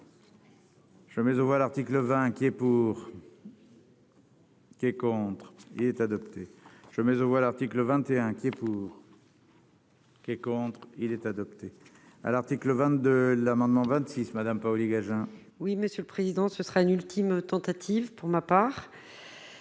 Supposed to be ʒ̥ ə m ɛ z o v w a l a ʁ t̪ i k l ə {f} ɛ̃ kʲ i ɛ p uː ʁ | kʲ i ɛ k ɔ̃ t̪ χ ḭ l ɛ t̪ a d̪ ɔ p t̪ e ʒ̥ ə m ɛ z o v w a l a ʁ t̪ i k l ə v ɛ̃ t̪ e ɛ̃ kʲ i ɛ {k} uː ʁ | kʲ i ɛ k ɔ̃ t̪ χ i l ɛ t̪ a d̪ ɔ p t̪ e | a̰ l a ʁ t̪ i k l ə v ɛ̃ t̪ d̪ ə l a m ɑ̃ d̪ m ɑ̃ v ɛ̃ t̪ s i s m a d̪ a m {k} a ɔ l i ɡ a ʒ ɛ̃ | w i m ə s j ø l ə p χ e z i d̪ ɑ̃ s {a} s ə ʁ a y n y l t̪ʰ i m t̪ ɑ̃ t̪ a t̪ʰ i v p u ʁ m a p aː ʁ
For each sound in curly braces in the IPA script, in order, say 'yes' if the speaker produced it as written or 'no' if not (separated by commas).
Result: no, no, no, no